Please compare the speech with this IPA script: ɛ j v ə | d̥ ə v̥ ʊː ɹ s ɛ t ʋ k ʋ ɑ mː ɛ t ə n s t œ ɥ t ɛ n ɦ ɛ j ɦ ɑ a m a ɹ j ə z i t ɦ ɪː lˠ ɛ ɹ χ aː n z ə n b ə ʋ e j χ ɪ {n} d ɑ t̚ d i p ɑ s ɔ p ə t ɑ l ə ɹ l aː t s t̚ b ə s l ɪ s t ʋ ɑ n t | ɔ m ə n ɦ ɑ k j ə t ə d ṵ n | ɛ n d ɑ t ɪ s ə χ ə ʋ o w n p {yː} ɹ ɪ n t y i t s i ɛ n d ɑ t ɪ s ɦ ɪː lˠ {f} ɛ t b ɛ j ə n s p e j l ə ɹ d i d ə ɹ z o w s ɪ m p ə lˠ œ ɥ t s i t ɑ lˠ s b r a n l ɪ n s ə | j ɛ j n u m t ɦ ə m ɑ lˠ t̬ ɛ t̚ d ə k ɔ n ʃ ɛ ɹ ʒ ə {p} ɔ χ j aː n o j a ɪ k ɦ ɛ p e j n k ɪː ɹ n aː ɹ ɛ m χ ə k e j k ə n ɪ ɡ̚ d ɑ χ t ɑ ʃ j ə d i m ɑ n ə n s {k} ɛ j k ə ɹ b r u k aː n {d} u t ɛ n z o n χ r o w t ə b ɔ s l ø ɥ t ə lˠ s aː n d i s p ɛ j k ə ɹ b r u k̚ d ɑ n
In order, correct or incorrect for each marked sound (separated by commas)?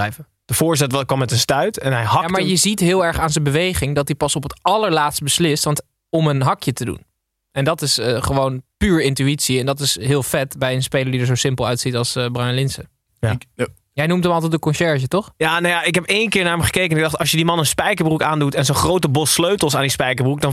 incorrect, correct, correct, incorrect, incorrect, correct